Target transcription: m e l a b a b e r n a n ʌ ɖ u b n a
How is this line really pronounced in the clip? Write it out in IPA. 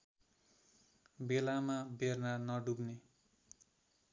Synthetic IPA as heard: b e l a m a b e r n a n ʌ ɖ u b n e